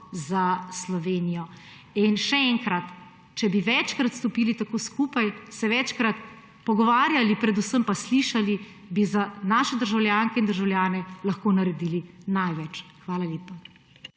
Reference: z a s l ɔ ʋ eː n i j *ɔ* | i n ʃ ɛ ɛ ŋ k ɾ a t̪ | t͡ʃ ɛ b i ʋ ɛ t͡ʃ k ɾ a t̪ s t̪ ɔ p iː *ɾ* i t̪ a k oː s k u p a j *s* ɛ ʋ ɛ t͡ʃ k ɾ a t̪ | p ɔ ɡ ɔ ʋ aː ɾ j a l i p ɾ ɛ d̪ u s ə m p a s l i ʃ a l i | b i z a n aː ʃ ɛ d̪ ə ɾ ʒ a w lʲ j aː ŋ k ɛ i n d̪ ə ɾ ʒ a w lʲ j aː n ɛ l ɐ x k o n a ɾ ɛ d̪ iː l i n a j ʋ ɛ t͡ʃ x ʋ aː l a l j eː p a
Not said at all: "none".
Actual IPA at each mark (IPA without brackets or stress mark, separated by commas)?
ɔ, l, s